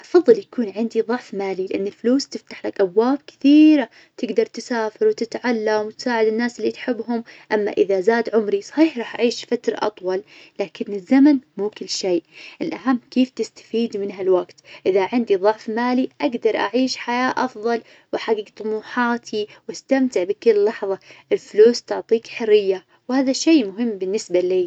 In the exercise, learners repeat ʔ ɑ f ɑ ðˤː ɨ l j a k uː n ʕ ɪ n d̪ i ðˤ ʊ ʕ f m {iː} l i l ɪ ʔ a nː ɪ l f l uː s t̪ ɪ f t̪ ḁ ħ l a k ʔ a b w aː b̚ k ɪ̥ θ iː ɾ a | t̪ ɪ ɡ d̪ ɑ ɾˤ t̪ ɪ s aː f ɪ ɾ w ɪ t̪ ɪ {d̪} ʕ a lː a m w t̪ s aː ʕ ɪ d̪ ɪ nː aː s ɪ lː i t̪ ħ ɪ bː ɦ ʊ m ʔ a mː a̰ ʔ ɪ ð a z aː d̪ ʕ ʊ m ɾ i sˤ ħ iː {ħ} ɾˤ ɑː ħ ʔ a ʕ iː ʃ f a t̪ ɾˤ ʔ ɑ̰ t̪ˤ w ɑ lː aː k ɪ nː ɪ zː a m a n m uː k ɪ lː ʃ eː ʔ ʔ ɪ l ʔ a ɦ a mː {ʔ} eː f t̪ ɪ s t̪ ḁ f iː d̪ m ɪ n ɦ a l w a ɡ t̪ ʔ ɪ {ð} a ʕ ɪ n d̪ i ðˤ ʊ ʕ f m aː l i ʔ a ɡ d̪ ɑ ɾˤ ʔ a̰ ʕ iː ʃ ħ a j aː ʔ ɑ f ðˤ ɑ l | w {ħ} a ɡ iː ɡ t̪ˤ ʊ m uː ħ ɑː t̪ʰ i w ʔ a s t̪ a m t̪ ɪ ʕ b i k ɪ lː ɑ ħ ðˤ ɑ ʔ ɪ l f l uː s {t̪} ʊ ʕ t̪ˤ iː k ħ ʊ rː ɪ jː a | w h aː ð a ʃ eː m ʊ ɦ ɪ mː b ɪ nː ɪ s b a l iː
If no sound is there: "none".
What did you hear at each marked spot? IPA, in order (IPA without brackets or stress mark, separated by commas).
aː, t̪, ħ, k, ð, ħ, t̪